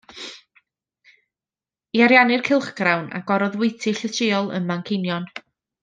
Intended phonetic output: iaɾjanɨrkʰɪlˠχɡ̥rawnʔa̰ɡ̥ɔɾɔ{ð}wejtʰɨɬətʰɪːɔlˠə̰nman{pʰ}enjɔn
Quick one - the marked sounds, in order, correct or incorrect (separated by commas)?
correct, incorrect